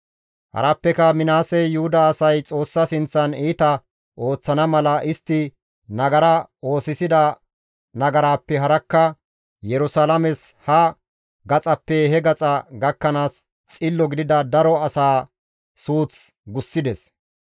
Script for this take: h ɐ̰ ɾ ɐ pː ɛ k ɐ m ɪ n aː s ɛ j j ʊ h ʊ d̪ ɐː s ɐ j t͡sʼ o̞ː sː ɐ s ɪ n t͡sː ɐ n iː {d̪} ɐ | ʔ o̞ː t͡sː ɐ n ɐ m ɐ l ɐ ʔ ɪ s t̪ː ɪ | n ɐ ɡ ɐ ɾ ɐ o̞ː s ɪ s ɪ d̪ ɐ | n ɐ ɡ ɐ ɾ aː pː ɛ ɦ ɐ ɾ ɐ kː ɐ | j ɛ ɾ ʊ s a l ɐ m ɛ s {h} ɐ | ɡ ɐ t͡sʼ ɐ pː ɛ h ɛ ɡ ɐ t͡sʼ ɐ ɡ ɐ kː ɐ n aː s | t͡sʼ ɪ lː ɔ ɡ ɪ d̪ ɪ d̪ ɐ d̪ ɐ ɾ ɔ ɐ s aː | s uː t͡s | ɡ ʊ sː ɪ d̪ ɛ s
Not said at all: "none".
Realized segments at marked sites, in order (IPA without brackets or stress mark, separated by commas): t̪, h